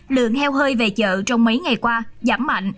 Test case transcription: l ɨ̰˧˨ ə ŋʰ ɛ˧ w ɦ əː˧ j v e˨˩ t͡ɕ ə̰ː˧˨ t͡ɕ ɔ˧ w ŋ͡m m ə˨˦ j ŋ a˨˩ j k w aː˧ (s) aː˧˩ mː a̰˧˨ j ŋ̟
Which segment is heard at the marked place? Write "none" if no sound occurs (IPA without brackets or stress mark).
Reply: z